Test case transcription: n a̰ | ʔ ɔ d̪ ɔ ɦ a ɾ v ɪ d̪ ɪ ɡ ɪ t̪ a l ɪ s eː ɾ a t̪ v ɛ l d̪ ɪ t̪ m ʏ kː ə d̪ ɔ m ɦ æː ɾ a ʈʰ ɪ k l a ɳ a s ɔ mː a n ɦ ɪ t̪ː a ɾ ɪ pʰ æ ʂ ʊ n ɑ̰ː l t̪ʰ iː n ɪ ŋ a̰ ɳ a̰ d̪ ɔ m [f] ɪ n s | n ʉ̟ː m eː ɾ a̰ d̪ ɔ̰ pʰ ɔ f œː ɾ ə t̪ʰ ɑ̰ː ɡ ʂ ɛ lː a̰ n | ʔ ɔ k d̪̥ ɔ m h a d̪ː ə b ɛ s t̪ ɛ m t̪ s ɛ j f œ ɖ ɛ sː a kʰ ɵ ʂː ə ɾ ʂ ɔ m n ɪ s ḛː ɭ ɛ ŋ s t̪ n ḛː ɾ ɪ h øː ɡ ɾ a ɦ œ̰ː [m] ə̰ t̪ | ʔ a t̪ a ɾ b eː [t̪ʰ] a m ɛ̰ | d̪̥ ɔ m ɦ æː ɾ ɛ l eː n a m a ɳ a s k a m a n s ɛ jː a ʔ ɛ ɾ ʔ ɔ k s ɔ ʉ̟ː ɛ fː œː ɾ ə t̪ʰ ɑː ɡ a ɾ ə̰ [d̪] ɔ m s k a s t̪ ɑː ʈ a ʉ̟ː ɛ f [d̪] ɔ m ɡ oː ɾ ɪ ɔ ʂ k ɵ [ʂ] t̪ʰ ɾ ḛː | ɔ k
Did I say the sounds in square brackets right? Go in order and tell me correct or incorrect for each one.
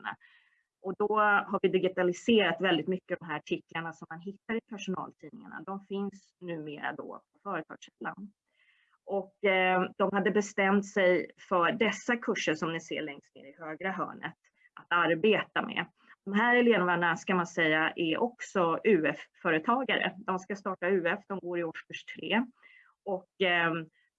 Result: correct, incorrect, incorrect, correct, correct, correct

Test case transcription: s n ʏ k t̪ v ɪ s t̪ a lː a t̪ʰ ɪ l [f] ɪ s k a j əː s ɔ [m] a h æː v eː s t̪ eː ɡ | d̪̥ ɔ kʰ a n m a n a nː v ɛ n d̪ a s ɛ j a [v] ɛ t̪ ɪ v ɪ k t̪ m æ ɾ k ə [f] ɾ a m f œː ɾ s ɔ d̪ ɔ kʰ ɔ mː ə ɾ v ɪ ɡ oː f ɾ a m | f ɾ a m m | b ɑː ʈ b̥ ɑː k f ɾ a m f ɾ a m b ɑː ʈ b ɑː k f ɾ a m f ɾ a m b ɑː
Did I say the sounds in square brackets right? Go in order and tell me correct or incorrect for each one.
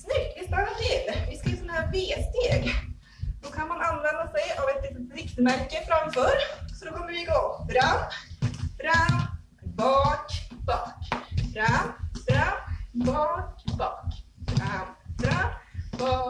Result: incorrect, incorrect, correct, correct

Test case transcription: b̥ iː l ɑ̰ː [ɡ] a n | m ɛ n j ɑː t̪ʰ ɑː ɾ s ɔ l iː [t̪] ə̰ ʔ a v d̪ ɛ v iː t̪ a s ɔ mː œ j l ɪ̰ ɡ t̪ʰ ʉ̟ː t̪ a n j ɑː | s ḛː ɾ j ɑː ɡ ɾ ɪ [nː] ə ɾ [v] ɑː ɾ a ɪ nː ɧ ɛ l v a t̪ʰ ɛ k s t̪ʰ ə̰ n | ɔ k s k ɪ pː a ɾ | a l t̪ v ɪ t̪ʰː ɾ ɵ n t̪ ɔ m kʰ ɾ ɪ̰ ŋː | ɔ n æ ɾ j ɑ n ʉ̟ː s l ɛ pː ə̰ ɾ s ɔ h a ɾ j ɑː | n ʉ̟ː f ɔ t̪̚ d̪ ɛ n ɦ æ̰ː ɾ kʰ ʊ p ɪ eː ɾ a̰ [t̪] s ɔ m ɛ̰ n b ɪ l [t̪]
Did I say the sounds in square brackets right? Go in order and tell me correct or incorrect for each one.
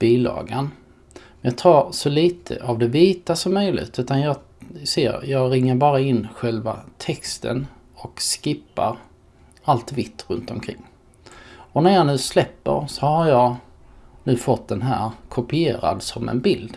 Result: correct, incorrect, incorrect, incorrect, incorrect, incorrect

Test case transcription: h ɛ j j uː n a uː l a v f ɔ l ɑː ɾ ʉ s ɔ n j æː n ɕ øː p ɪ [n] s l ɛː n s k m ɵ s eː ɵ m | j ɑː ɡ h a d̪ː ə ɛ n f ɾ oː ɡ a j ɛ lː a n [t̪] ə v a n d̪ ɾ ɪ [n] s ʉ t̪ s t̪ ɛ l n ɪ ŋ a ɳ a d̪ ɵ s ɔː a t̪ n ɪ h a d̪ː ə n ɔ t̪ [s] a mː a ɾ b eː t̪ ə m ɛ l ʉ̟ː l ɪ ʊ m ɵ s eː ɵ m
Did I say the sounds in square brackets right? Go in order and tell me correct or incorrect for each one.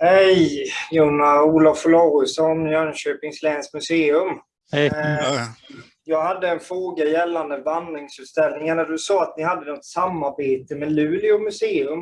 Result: incorrect, incorrect, incorrect, correct

